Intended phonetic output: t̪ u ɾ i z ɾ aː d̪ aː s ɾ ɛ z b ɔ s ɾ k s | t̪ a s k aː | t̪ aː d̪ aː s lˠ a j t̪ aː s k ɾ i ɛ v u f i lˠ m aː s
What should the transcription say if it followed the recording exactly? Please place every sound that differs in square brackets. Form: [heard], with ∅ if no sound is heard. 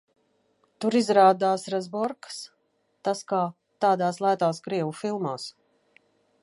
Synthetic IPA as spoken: t̪ u ɾ i z ɾ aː d̪ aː s ɾ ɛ z b ɔ [∅] ɾ k s | t̪ a s k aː | t̪ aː d̪ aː s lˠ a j t̪ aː s k ɾ i ɛ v u f i lˠ m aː s